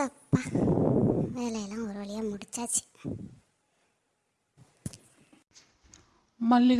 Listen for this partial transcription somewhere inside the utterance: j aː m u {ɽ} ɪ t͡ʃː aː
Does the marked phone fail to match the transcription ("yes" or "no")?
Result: no